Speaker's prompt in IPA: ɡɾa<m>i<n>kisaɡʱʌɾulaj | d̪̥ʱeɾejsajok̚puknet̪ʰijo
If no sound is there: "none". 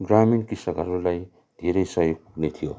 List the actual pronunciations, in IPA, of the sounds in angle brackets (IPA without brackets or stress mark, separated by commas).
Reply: m, n